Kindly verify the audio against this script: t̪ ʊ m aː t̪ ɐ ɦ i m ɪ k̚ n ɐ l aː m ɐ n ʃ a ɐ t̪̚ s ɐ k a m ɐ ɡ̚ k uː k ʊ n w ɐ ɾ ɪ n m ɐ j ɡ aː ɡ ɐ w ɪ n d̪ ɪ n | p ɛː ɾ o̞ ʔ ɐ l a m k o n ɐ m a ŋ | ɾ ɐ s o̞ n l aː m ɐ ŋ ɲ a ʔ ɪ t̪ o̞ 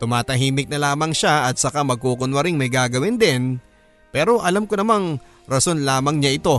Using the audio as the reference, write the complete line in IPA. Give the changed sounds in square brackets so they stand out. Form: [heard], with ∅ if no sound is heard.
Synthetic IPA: t̪ ʊ m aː t̪ ɐ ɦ [iː] m ɪ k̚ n ɐ l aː m ɐ [ŋ] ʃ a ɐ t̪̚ s ɐ k a m ɐ ɡ̚ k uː k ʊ n w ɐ ɾ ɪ [ŋ] m ɐ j ɡ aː ɡ ɐ w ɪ n d̪ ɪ n | p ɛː ɾ o̞ ʔ ɐ l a m k o n ɐ m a ŋ | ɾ ɐ s o̞ n l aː m ɐ ŋ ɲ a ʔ ɪ t̪ o̞